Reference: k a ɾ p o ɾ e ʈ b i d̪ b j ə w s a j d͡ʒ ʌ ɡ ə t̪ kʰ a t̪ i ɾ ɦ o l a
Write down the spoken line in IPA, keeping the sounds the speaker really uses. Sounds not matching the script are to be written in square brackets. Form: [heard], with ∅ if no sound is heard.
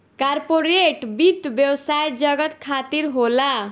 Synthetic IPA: k a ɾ p o ɾ e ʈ b i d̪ b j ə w s a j d͡ʒ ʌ ɡ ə t̪ kʰ a t̪ i ɾ ɦ o l a

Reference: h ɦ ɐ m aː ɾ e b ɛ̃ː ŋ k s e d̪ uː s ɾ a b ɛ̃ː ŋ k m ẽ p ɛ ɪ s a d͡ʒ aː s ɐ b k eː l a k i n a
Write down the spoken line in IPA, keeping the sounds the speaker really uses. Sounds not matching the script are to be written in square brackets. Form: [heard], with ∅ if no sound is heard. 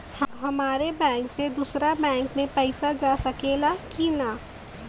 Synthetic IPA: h ɦ ɐ m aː ɾ e b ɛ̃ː ŋ k s e d̪ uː s ɾ a b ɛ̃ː ŋ k m ẽ p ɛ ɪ s a d͡ʒ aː s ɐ [∅] k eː l a k i n a

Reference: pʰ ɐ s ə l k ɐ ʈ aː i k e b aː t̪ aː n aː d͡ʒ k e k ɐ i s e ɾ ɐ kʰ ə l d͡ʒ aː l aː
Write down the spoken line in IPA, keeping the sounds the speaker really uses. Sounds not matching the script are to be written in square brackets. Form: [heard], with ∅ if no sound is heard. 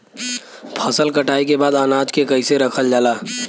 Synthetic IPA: pʰ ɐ s ə l k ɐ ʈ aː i k e b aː [d̪] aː n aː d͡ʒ k e k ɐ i s e ɾ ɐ kʰ ə l d͡ʒ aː l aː

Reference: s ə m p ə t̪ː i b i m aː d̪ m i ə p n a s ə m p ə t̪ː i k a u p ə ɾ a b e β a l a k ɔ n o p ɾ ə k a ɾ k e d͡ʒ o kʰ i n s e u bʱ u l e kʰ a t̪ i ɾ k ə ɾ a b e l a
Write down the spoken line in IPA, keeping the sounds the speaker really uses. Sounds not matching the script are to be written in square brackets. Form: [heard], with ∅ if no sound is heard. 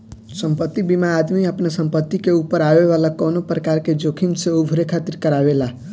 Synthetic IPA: s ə m p ə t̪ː i b i m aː d̪ m i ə p n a s ə m p ə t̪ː i k [e] u p ə ɾ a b e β a l a k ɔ n o p ɾ ə k a ɾ k e d͡ʒ o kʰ i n s e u bʱ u [ɾ] e kʰ a t̪ i ɾ k ə ɾ a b e l a

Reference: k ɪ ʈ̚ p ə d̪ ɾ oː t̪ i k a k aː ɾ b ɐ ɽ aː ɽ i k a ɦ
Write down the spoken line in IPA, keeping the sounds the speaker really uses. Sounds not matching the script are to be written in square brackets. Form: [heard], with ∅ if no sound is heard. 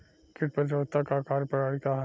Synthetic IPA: k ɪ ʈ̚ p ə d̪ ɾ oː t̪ [a] k a k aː ɾ [p] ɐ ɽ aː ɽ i k a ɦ

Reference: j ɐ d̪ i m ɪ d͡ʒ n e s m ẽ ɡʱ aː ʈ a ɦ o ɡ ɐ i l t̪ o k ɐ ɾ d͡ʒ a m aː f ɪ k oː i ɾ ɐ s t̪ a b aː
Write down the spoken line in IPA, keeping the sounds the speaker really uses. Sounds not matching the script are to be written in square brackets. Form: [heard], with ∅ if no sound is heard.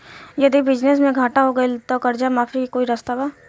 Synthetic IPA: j ɐ d̪ i [b] ɪ d͡ʒ n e s m ẽ ɡʱ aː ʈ a ɦ o ɡ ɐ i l t̪ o k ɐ ɾ d͡ʒ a m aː f [i] k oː i ɾ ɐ s t̪ a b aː

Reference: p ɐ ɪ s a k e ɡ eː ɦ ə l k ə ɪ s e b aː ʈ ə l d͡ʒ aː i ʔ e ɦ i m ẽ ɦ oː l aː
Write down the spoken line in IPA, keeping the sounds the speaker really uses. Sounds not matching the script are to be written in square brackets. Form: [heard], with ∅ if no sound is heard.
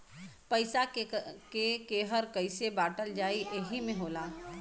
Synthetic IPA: p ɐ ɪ s a k e [k] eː ɦ ə [ɾ] k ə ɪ s e b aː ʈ ə l d͡ʒ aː i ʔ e ɦ i m ẽ ɦ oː l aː

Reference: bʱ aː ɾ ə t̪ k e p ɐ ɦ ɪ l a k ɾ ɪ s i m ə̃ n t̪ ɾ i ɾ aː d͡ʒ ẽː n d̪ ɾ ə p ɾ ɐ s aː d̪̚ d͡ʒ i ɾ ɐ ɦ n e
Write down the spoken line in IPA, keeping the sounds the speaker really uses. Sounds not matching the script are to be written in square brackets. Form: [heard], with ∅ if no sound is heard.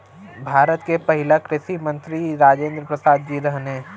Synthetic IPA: bʱ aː ɾ ə t̪ k e p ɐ ɦ ɪ l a k ɾ ɪ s i m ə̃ n t̪ ɾ i ɾ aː d͡ʒ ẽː n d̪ ɾ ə p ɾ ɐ s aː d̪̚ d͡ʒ i ɾ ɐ ɦ n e

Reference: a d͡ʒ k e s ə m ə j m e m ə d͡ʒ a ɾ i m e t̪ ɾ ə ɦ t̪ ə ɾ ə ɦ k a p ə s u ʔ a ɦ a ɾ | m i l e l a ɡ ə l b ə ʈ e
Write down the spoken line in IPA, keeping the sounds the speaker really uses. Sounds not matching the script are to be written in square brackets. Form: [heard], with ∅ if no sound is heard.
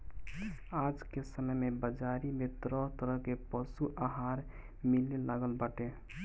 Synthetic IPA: a d͡ʒ k e s ə m ə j m e [b] ə d͡ʒ a ɾ i m e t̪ ɾ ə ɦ t̪ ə ɾ ə ɦ k [e] p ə s u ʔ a ɦ a ɾ | m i l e l a ɡ ə l b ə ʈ e

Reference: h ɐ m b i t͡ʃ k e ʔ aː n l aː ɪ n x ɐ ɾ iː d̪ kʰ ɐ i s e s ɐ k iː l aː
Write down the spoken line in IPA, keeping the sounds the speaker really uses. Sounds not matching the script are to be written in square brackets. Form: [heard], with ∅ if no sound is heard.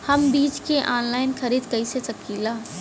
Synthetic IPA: h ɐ m b [iː] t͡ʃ k e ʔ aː n l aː ɪ n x ɐ ɾ iː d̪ [k] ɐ i s e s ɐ k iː l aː

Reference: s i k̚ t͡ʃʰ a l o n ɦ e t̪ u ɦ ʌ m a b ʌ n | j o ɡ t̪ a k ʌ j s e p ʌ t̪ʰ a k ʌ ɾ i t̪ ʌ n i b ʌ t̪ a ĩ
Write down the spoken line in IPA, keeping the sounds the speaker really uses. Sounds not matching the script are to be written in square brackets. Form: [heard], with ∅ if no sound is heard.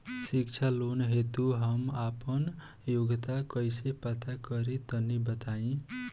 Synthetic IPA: s i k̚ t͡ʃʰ a l o n ɦ e t̪ u ɦ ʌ m a [p] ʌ n | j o ɡ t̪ a k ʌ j s e p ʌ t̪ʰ a k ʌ ɾ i t̪ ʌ n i b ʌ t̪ a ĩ

